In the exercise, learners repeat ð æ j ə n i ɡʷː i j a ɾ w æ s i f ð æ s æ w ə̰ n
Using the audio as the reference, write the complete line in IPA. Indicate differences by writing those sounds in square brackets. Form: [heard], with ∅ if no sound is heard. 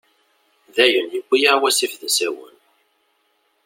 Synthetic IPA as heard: ð æ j ə n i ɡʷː i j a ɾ w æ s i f ð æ s æ w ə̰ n

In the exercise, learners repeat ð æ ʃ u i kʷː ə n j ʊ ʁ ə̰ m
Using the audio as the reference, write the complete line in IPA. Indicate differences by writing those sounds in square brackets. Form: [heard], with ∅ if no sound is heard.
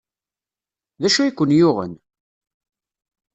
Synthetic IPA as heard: ð æ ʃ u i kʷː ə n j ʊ ʁ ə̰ [n]

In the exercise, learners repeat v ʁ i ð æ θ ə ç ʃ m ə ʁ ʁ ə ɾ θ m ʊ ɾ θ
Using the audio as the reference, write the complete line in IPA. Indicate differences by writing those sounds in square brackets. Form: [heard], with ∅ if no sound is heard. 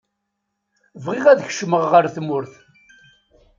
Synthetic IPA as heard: v ʁ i [ʁ] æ [ð] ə ç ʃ m ə ʁ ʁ ə ɾ θ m ʊ ɾ θ

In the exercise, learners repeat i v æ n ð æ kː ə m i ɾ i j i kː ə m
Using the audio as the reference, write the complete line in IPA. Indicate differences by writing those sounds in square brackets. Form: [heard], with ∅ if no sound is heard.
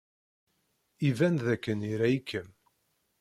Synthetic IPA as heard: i v æ n ð æ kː ə [n] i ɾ [æ] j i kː ə m

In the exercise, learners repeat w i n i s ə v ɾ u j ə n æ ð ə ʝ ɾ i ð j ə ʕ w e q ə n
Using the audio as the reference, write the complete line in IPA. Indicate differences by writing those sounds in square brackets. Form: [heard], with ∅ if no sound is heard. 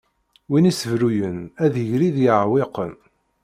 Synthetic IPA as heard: w i n i s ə v ɾ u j ə n æ ð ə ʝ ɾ i ð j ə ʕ w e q ə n

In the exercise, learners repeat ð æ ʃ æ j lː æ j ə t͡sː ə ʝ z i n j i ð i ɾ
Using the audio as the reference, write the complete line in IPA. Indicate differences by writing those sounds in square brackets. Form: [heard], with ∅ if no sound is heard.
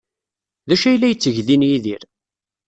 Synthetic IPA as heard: ð æ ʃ æ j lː æ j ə t͡sː ə ʝ [ð] i n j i ð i ɾ

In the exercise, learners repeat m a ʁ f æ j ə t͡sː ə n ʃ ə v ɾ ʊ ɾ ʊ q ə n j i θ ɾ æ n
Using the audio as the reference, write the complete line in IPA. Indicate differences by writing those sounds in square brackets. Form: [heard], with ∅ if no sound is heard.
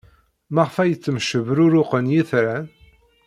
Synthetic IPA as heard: m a ʁ f æ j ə t͡sː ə [m] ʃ ə v ɾ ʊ ɾ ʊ q ə n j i θ ɾ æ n

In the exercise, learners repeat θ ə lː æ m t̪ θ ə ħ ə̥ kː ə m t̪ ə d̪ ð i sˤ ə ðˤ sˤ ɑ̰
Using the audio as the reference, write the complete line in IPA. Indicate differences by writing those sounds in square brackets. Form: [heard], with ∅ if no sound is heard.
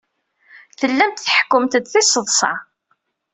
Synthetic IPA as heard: θ ə lː æ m t̪ θ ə ħ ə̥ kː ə m t̪ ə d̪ [θ] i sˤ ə ðˤ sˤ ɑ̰

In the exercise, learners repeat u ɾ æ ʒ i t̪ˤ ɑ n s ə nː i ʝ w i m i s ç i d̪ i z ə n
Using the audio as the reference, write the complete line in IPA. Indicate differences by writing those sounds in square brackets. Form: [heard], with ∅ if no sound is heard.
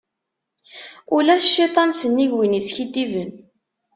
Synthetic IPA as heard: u [l] æ [ʃ] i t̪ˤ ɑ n s ə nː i ʝ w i [n] i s ç i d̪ i [v] ə n

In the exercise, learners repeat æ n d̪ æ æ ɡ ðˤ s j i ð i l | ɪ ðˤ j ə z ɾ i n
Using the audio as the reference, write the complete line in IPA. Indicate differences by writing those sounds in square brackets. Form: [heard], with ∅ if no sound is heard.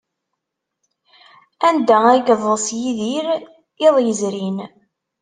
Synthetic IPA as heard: æ n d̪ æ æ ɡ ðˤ s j i ð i [ɾ] | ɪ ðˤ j ə z ɾ i n

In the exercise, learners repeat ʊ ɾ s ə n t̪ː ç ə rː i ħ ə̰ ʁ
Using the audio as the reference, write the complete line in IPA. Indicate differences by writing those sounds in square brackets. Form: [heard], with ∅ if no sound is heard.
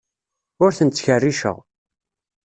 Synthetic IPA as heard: ʊ ɾ [θ] ə n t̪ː ç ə rː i [ʃ] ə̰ ʁ

